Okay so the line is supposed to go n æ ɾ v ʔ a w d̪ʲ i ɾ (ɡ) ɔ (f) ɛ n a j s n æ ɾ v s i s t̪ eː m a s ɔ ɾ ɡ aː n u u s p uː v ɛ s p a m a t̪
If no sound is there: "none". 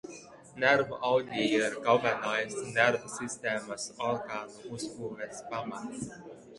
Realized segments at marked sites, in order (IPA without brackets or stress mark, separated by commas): ɡ, v